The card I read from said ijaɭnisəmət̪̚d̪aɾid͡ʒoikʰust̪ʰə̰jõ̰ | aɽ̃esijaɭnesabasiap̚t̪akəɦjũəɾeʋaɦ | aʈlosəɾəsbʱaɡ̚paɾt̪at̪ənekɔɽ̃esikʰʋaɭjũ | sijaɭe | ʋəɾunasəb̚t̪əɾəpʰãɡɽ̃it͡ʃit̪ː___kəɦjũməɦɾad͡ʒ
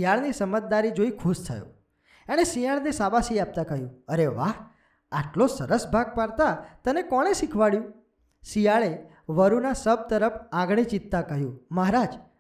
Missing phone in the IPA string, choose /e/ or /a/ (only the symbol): a